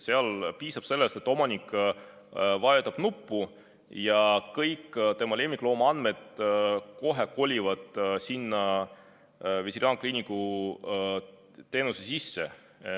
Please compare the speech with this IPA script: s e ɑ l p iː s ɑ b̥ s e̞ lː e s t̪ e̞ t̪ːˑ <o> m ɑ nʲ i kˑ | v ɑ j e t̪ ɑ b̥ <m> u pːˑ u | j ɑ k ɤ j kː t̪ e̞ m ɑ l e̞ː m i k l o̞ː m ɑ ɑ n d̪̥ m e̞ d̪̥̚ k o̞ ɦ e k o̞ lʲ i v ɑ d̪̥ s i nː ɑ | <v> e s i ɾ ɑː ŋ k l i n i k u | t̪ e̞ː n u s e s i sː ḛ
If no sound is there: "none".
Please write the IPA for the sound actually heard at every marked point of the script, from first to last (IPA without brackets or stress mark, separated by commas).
o, n, v